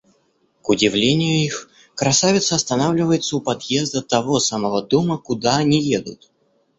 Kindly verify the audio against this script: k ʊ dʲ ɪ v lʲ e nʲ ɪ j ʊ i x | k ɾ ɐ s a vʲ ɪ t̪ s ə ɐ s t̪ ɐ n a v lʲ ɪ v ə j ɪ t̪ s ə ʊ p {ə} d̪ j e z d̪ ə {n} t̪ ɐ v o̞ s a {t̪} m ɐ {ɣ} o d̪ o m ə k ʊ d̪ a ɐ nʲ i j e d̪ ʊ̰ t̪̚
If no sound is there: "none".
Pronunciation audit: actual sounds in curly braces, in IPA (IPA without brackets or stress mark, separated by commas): ɐ, none, none, v